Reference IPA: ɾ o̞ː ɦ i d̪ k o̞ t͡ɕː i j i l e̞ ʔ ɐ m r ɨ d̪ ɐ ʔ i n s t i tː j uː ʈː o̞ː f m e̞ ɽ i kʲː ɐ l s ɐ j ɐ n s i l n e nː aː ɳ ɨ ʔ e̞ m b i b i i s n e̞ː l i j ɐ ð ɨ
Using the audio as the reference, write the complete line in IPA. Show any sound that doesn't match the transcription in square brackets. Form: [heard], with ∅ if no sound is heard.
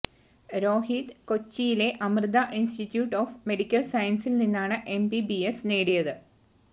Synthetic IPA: ɾ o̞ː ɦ i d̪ k o̞ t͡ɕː i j i l e̞ ʔ ɐ m r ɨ d̪ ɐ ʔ i n s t i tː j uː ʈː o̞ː f m e̞ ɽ i kʲː ɐ l s ɐ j ɐ n s i l n [i] nː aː ɳ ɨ ʔ e̞ m b i b i [e] s n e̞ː [ɽ] i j ɐ ð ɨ